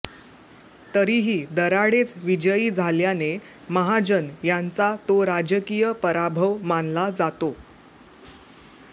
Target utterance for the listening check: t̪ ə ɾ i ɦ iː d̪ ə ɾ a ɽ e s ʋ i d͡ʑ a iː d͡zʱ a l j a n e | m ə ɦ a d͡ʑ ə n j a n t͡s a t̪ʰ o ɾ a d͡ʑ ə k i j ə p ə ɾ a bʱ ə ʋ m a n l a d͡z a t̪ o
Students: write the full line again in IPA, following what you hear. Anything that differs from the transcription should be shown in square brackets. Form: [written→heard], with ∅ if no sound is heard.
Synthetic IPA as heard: t̪ ə ɾ i ɦ iː d̪ ə ɾ a ɽ e [s→t͡s] ʋ i d͡ʑ [a→ə] iː d͡zʱ a l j a n e | m ə ɦ a d͡ʑ ə n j a n t͡s a [t̪ʰ→t̪] o ɾ a d͡ʑ ə k i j ə p ə ɾ a bʱ ə ʋ m a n l a d͡z a t̪ o